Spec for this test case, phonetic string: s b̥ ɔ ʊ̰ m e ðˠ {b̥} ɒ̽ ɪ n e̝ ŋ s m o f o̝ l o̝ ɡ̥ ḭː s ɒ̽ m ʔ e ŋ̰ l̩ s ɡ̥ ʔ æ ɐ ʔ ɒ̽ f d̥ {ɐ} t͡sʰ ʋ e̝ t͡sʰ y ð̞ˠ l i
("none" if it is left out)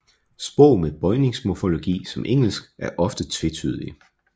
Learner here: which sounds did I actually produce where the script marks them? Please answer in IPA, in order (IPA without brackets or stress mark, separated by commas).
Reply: b̥, ə